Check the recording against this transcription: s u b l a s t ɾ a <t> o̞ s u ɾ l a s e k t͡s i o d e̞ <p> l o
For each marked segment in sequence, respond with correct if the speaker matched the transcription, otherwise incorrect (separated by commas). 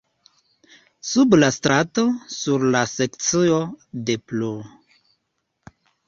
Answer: correct, correct